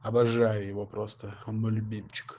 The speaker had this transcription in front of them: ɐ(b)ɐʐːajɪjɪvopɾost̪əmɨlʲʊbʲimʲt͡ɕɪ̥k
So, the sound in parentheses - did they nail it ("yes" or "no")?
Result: yes